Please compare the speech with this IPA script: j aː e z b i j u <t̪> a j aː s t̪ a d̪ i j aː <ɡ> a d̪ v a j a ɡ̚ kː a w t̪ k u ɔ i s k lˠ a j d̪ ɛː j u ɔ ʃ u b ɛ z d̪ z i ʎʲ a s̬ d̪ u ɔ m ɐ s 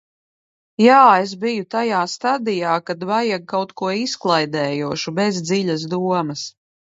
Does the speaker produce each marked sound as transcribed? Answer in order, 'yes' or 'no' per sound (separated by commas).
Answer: yes, no